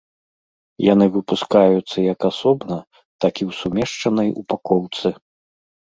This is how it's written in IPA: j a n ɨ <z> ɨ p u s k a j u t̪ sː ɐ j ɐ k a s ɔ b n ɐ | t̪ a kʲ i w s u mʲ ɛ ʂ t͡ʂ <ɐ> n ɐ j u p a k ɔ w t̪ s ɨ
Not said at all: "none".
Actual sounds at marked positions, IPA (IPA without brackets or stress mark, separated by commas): v, ɐ